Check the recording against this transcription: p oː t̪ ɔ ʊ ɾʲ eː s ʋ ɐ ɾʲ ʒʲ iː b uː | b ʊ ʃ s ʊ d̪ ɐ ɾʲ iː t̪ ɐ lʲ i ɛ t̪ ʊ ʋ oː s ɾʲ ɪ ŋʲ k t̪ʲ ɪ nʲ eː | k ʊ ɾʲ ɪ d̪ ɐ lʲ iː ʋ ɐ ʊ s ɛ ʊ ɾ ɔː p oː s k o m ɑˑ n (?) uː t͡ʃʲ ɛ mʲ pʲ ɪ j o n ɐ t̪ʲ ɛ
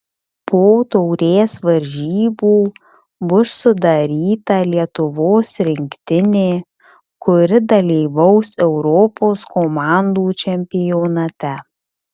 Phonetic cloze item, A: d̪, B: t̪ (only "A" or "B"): A